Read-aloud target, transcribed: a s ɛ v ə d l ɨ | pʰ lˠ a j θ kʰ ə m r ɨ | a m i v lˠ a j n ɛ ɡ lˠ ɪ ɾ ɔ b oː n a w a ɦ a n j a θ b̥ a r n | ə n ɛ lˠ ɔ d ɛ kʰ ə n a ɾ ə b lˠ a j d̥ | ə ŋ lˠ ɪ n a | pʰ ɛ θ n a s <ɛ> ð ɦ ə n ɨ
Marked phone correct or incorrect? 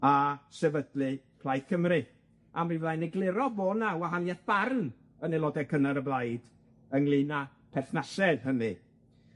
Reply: correct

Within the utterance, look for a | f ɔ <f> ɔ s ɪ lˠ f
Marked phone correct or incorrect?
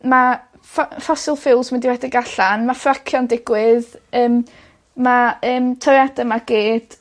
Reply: correct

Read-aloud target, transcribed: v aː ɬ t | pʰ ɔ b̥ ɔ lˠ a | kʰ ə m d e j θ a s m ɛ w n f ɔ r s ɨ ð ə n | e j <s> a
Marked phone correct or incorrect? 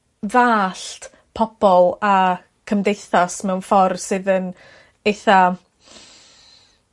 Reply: incorrect: θ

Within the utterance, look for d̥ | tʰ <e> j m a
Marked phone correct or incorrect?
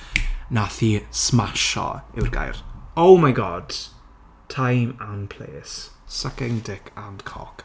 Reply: incorrect: a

